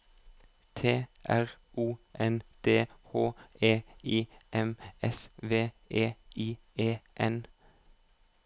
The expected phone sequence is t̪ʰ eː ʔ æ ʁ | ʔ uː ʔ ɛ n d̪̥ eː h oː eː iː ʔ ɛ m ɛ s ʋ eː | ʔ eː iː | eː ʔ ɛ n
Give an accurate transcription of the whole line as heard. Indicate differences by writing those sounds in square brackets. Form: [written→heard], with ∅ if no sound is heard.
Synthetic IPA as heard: t̪ʰ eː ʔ æ ʁ | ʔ uː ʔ ɛ n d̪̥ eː h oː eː iː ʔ ɛ m ɛ s ʋ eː | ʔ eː iː | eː ʔ ɛ n